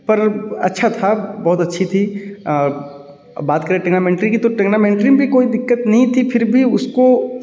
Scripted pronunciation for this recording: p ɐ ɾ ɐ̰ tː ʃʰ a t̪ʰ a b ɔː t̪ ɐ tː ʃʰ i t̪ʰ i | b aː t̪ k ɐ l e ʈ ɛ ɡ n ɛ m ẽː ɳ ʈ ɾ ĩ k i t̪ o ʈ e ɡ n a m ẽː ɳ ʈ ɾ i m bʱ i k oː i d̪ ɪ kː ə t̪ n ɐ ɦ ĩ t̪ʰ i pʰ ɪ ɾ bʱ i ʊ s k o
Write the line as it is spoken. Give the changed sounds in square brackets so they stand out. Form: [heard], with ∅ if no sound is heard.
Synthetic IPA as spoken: p ɐ ɾ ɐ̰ tː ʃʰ a t̪ʰ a b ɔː t̪ ɐ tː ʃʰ i t̪ʰ i | b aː t̪ k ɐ [ɾ] e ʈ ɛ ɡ n [a] m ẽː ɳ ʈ ɾ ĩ k i t̪ o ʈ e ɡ n a m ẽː ɳ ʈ ɾ i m bʱ i k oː i d̪ ɪ kː ə t̪ n ɐ ɦ ĩ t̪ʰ i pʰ ɪ ɾ bʱ i ʊ s k o